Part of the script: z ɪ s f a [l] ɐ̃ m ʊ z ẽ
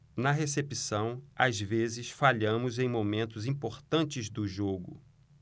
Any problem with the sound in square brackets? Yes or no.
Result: yes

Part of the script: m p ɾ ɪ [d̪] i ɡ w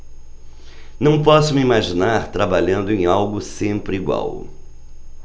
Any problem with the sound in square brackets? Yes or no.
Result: yes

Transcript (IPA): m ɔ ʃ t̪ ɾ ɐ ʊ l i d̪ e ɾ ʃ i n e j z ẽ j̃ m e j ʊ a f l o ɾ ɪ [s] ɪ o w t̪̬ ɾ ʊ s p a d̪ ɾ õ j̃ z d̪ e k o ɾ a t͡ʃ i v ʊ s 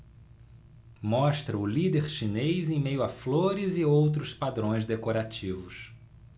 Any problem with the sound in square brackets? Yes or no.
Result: yes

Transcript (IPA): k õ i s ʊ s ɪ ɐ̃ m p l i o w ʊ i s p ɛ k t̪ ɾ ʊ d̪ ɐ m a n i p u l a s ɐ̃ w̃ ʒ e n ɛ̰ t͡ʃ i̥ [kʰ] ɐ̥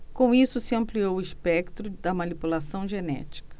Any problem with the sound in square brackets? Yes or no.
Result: yes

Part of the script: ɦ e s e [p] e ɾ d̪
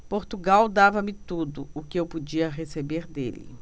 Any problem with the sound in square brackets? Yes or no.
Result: yes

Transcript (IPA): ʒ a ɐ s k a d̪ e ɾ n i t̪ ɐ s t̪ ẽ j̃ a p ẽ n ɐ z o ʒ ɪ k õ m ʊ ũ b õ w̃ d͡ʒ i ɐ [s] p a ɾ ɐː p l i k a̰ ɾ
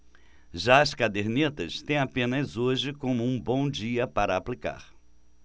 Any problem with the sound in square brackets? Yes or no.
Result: yes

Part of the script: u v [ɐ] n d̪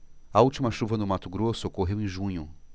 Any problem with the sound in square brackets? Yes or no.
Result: no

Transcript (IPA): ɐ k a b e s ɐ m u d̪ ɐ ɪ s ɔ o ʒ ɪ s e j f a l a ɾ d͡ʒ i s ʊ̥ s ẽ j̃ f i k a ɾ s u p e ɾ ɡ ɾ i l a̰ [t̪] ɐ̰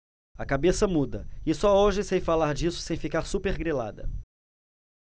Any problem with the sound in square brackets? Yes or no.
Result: yes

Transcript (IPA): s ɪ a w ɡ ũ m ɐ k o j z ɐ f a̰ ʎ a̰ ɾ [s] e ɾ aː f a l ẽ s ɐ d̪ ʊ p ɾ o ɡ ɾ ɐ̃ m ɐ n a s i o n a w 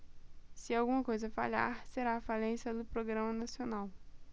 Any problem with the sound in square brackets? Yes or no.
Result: no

